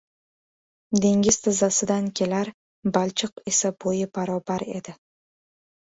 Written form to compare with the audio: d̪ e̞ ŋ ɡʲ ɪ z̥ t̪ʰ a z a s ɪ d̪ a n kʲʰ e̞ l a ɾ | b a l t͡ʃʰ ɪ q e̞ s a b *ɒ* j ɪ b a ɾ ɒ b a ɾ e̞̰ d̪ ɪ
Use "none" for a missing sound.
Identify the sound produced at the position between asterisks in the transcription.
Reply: o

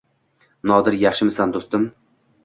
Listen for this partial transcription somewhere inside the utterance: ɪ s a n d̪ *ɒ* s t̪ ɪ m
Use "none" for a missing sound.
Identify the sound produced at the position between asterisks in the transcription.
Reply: o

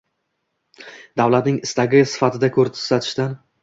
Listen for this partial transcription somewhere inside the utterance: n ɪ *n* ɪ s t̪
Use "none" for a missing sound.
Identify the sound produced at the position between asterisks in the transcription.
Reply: ŋ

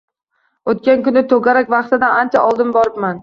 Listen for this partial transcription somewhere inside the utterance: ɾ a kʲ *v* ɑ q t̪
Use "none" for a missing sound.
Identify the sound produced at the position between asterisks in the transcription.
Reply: v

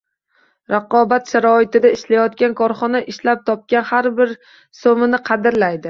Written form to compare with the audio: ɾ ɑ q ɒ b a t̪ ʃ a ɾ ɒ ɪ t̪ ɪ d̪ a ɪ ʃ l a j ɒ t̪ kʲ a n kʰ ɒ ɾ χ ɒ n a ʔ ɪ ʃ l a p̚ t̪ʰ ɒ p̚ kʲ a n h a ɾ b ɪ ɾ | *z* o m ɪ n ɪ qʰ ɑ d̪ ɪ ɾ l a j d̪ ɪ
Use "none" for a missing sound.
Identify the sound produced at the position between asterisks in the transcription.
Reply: s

